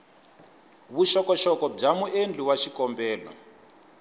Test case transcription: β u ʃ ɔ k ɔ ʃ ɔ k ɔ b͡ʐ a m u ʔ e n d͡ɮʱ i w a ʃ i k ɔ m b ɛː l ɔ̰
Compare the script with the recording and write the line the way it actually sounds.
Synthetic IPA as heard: β u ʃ ɔ k ɔ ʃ ɔ k ɔ b͡ʐ a m u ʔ e n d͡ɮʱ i w a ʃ i k ɔ m b ɛː l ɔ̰